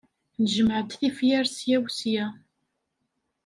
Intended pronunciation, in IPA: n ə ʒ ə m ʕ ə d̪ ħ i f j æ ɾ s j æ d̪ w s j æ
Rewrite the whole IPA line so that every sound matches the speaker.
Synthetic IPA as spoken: n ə ʒ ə m ʕ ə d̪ θ i f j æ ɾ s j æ w s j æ